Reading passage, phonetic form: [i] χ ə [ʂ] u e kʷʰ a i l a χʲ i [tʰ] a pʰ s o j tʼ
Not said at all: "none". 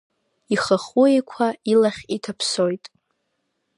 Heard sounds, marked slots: i, χ, tʰ

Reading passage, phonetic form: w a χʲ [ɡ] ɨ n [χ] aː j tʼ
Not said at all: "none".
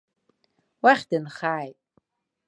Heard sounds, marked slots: d, χ

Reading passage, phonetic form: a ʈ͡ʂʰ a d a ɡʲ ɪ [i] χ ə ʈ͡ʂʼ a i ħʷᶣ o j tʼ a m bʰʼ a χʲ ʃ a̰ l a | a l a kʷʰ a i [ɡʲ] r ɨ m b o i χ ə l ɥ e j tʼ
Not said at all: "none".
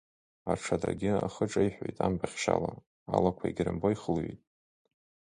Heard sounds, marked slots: a, ɡʲ

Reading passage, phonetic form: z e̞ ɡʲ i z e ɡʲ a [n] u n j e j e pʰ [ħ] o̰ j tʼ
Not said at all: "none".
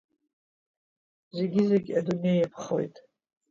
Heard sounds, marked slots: d, χ

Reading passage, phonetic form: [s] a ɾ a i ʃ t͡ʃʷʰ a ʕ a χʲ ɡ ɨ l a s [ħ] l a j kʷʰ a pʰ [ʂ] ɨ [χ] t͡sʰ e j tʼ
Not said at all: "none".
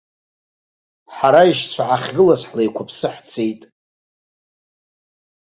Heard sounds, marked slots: ħ, ħ, s, ħ

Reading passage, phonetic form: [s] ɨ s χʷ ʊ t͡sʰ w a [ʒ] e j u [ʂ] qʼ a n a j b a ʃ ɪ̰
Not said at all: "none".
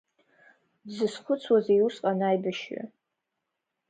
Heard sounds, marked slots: z, z, s

